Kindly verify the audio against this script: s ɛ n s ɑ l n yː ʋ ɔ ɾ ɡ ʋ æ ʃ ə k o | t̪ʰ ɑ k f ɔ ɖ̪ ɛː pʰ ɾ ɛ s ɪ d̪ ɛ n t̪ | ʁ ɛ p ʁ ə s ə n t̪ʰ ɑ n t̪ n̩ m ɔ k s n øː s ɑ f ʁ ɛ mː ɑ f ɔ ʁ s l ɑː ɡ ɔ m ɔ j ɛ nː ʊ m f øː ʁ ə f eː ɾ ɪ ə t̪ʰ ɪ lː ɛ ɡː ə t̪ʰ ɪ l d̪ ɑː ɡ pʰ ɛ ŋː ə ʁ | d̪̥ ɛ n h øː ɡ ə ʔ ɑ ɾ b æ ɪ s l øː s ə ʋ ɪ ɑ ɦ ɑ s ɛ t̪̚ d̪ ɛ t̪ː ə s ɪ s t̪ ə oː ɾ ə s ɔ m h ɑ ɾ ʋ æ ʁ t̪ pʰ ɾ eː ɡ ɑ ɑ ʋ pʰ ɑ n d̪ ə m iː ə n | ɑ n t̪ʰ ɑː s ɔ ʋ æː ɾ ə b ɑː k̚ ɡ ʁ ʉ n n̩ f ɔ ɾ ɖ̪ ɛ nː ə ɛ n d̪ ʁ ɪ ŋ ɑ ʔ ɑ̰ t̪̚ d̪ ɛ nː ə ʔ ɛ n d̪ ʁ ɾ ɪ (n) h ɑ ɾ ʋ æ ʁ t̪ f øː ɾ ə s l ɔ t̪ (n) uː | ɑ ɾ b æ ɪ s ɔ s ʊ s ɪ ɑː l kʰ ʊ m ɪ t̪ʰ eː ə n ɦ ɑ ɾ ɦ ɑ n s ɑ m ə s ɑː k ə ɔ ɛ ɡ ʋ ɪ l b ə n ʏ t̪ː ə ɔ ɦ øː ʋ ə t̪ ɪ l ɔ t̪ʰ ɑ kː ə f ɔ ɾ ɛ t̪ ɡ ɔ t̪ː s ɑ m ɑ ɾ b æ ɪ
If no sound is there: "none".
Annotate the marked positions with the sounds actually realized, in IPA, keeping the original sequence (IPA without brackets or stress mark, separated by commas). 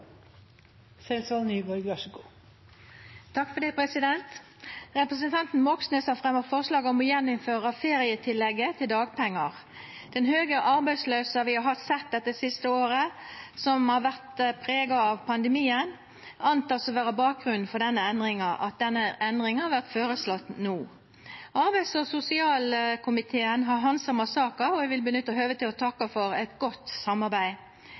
ŋ, n